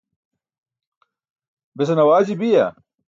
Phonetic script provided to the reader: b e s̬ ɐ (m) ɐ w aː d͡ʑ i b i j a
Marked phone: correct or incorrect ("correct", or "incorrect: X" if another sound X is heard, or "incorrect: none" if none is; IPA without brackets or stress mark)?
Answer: incorrect: n